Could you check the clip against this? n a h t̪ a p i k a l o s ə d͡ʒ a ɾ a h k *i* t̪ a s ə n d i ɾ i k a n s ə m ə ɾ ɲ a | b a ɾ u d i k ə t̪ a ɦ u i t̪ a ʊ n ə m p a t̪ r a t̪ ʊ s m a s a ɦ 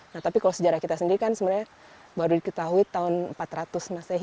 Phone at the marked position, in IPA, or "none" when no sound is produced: i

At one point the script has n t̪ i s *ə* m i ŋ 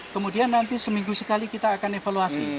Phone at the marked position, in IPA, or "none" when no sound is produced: ə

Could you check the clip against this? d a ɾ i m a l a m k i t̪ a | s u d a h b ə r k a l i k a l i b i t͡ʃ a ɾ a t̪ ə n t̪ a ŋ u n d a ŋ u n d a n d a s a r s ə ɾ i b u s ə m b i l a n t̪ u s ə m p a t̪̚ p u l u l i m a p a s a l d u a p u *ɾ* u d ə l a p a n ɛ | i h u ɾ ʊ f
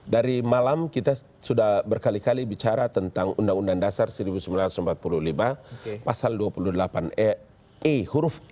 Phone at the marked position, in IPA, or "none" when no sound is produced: l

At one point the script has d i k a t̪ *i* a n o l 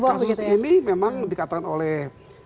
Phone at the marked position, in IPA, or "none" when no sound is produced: a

